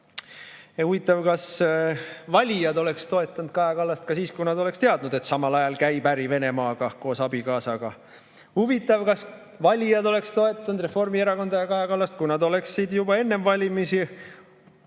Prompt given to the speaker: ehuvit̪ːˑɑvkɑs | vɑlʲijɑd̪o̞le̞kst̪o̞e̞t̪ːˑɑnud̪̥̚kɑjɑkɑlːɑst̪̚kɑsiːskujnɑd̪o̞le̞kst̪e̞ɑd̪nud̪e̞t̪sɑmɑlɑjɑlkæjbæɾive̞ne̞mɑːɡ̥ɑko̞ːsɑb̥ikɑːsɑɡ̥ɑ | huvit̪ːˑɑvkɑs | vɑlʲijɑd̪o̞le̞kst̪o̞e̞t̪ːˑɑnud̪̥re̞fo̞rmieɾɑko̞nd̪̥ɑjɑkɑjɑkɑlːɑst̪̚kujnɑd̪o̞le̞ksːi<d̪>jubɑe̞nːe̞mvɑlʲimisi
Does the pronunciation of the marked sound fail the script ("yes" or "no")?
no